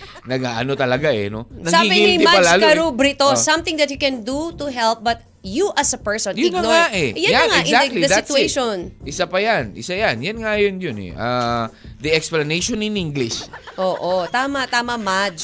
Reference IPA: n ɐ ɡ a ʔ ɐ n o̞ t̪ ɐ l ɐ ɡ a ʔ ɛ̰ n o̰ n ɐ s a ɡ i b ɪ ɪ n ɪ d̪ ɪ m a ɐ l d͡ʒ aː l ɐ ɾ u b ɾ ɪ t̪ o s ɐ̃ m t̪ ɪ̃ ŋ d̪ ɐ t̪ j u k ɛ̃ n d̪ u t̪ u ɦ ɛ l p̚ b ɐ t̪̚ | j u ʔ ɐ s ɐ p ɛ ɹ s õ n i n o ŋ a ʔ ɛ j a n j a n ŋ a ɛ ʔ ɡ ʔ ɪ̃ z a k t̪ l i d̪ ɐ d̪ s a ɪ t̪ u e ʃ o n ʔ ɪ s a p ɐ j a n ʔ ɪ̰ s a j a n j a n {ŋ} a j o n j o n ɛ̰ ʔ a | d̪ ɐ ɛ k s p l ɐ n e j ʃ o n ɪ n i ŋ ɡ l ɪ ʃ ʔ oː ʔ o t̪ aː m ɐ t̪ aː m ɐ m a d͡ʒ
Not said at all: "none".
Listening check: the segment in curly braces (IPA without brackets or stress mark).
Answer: ŋ